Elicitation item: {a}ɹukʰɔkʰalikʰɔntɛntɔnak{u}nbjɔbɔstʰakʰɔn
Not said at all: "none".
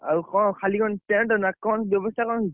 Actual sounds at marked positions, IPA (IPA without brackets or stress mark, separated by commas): a, ɔ